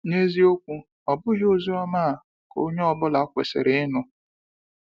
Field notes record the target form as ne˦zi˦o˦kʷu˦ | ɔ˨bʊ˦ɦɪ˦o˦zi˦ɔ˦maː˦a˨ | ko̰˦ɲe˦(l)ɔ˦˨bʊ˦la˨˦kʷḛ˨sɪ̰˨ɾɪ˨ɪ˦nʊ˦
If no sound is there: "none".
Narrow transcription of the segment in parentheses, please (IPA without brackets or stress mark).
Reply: none